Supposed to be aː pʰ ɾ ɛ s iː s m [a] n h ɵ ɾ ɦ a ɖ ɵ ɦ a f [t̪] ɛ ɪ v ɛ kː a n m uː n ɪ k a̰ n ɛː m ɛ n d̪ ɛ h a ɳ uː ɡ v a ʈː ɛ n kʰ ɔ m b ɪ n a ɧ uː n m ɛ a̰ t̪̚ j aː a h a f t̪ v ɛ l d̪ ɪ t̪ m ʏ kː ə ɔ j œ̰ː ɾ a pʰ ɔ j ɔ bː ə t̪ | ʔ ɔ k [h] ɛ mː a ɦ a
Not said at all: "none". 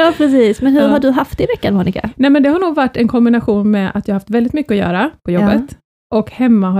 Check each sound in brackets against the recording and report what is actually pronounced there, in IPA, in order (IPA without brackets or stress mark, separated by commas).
ɛ, t̪, h